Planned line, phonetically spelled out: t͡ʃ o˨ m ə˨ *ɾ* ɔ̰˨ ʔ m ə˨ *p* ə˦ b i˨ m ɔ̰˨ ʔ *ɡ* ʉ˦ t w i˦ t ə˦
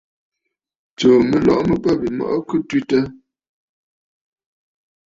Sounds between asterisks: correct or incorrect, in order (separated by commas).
incorrect, correct, incorrect